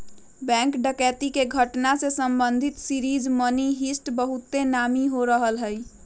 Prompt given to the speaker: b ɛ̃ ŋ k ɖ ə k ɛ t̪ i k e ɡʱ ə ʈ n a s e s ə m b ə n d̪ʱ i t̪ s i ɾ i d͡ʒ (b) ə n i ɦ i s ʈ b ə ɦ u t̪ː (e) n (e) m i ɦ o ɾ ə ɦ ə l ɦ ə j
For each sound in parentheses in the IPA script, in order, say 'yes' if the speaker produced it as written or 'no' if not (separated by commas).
no, yes, no